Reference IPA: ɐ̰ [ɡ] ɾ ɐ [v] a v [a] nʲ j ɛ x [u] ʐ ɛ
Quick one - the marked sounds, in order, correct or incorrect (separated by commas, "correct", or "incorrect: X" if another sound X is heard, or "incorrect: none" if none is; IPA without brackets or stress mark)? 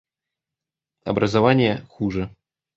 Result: incorrect: b, incorrect: z, correct, correct